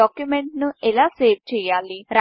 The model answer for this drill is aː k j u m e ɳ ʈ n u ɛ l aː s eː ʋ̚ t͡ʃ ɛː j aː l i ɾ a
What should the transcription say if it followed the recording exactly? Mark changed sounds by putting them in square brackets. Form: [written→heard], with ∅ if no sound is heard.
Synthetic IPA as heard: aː k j u m e ɳ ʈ n u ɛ l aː s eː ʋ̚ t͡ʃ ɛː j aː l i ɾ a